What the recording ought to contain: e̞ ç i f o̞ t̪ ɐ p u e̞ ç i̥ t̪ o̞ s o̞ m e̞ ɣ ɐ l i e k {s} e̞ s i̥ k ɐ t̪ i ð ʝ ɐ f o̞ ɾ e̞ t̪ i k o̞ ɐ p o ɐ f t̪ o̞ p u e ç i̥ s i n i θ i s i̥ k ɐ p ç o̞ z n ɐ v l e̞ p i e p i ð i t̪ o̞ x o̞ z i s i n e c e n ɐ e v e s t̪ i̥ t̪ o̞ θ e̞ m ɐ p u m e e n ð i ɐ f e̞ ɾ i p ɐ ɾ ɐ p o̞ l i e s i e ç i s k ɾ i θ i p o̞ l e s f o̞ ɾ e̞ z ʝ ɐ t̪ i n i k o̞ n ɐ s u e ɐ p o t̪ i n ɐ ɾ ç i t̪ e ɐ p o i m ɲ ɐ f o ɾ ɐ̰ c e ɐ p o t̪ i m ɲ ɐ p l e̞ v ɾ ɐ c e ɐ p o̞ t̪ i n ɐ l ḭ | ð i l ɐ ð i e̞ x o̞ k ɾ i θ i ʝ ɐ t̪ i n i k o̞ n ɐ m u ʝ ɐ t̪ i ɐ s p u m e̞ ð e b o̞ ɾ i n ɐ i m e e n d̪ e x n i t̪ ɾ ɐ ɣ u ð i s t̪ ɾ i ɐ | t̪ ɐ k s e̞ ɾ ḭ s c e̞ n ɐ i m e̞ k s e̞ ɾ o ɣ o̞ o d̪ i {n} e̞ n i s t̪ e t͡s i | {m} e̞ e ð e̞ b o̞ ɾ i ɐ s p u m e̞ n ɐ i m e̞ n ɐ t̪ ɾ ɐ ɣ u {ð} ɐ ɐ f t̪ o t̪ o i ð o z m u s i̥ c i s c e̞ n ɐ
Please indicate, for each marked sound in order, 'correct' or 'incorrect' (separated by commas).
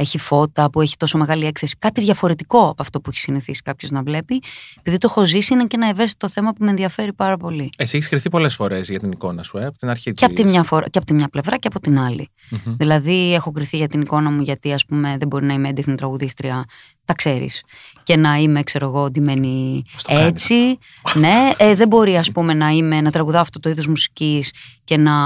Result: incorrect, incorrect, incorrect, correct